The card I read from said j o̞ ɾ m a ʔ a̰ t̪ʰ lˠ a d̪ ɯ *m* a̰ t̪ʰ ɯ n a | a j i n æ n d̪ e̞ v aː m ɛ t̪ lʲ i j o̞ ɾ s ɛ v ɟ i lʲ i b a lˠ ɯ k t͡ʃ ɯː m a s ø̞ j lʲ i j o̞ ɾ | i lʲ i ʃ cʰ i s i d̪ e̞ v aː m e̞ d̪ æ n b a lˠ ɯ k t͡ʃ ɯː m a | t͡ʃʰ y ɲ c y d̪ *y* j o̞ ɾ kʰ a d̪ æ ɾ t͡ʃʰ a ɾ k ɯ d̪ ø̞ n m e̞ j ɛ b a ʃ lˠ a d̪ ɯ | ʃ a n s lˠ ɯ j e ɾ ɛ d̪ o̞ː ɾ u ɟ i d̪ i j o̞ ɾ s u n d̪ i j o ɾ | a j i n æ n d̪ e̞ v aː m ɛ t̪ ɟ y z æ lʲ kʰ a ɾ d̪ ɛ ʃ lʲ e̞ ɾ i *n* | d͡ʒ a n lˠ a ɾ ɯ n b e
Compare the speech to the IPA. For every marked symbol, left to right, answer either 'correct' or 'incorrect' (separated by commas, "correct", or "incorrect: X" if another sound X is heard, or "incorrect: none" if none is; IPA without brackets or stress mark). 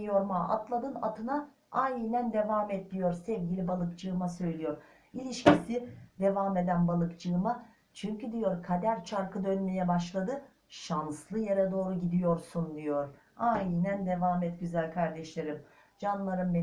incorrect: n, incorrect: i, incorrect: m